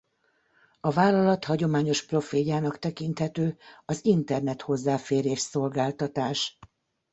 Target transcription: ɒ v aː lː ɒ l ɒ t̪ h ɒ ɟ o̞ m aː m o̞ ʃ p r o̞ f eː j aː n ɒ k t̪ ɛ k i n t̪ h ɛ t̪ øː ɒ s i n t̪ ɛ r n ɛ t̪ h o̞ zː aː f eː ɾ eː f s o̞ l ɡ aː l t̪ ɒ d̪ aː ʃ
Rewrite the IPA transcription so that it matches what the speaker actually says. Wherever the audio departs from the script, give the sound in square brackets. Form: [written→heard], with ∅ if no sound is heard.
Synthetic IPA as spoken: ɒ v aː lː ɒ l ɒ t̪ h ɒ ɟ o̞ m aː [m→ɲ] o̞ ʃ p r o̞ f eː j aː n ɒ k t̪ ɛ k i n t̪ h ɛ t̪ øː ɒ [s→z] i n t̪ ɛ r n ɛ t̪ h o̞ zː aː f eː ɾ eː [f→ʃ] s o̞ l ɡ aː l t̪ ɒ [d̪→t̪] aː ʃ

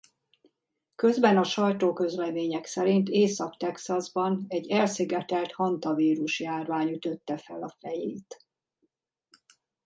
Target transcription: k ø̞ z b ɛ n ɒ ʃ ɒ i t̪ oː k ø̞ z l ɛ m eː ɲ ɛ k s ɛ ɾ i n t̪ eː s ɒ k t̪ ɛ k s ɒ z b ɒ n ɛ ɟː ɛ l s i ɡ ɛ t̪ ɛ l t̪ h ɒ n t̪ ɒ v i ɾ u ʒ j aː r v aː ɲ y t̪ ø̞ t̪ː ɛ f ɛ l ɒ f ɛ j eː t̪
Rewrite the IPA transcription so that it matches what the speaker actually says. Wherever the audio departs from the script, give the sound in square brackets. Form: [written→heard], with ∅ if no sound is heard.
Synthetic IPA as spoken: k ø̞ z b ɛ n ɒ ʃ ɒ [i→j] t̪ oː k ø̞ z l ɛ m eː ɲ ɛ k s ɛ ɾ i n t̪ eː s ɒ k t̪ ɛ k s ɒ z b ɒ n ɛ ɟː ɛ l s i ɡ ɛ t̪ ɛ l t̪ h ɒ n t̪ ɒ v [i→iː] ɾ u [ʒ→ʃ] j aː r v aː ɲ y t̪ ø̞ t̪ː ɛ f ɛ l ɒ f ɛ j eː t̪

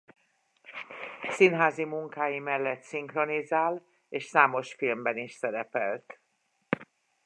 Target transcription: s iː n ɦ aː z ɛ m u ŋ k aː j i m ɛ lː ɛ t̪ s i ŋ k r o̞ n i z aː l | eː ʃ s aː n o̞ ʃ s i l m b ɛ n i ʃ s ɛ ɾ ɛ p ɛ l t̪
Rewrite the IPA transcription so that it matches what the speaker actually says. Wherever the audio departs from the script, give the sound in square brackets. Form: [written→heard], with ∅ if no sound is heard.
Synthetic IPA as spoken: s [iː→i] n ɦ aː z [ɛ→i] m u ŋ k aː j i m ɛ lː ɛ t̪ s i ŋ k r o̞ n i z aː l | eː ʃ s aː [n→m] o̞ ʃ [s→f] i l m b ɛ n i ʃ s ɛ ɾ ɛ p ɛ l t̪

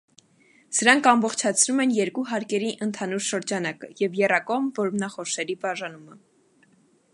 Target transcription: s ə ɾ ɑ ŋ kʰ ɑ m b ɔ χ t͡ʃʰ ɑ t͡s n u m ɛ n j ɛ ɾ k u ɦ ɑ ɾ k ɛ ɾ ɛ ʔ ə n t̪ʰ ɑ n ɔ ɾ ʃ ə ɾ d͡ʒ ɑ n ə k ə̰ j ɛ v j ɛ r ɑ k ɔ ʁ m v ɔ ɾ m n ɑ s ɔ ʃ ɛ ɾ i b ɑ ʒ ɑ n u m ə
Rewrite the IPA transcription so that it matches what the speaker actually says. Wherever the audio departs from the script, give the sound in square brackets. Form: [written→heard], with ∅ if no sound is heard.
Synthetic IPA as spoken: s ə ɾ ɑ ŋ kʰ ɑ m b ɔ χ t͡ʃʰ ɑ [t͡s→t͡sʰ] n u m ɛ n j ɛ ɾ k u ɦ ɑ ɾ k ɛ ɾ [ɛ→i] ʔ ə n t̪ʰ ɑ n [ɔ→u] ɾ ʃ ə ɾ d͡ʒ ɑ n [ə→ɑ] k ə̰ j ɛ v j ɛ r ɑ k ɔ ʁ m v ɔ ɾ m n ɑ [s→χ] ɔ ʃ ɛ ɾ i b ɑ ʒ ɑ n u m ə

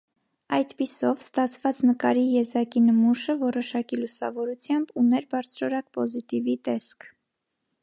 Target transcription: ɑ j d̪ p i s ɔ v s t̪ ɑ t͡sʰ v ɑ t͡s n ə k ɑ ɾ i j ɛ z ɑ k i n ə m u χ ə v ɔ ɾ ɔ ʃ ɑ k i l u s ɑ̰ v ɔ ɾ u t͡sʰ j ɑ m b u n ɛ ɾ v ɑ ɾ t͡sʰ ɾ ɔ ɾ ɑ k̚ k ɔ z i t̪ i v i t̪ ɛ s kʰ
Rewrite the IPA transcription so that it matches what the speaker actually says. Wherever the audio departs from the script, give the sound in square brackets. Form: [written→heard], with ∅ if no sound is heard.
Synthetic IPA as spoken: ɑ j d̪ p i s ɔ v s t̪ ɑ t͡sʰ v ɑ t͡s n ə k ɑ ɾ i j ɛ z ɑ k i n ə m u [χ→ʃ] ə v ɔ ɾ ɔ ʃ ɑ k i l u s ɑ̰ v ɔ ɾ u t͡sʰ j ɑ m b u n ɛ ɾ [v→b] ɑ ɾ t͡sʰ ɾ ɔ ɾ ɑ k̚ [k→p] ɔ z i t̪ i v i t̪ ɛ s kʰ

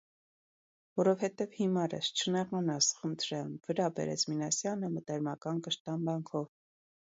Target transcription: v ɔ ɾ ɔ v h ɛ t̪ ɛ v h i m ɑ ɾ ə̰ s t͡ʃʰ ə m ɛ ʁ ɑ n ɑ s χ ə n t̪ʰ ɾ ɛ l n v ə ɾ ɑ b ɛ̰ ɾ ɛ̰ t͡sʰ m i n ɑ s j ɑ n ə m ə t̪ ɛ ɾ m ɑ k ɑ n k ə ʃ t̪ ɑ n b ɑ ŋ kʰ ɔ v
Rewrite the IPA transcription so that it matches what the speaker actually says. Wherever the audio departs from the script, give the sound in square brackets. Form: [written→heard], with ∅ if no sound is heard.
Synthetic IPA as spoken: v ɔ ɾ ɔ v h ɛ t̪ ɛ v h i m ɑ ɾ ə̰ s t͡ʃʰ ə [m→n] ɛ ʁ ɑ n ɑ s χ ə n t̪ʰ ɾ ɛ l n v ə ɾ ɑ b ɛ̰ ɾ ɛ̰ t͡sʰ m i n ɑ s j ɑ n ə m ə t̪ ɛ ɾ m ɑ k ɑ n k ə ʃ t̪ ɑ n b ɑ ŋ kʰ ɔ v

